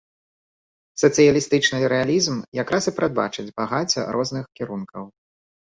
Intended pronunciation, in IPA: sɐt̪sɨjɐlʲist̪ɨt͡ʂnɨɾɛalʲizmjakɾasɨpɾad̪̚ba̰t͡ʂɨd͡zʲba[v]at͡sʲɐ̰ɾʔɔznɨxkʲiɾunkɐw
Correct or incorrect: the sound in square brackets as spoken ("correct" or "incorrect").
incorrect